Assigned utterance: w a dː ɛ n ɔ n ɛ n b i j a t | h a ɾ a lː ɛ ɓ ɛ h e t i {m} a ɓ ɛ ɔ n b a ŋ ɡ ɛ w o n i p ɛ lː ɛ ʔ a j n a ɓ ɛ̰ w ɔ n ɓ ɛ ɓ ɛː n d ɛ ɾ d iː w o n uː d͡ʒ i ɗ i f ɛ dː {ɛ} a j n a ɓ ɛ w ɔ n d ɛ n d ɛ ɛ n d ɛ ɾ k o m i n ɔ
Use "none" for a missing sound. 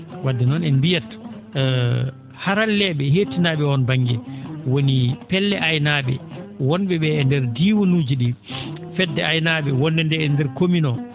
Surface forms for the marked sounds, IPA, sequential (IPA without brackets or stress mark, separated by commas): n, ɛ